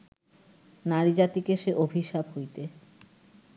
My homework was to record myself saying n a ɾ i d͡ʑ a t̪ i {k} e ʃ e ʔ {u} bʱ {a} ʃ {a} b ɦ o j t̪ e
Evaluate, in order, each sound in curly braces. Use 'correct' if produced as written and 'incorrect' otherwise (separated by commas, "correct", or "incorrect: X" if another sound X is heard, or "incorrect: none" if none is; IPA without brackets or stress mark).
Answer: correct, incorrect: o, incorrect: i, correct